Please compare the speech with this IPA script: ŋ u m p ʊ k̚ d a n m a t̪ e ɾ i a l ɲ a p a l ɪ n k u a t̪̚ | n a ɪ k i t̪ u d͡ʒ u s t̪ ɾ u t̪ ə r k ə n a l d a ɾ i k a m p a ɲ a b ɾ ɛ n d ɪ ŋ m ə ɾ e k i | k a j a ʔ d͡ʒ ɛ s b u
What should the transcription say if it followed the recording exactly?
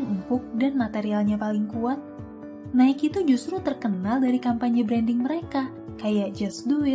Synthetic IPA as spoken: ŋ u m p ʊ k̚ d a n m a t̪ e ɾ i a l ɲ a p a l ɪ ŋ k u a t̪̚ | n a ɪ k i t̪ u d͡ʒ u s t̪ ɾ u t̪ ə r k ə n a l d a ɾ i k a m p a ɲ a b ɾ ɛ n d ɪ ŋ m ə ɾ e k a | k a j a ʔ d͡ʒ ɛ s d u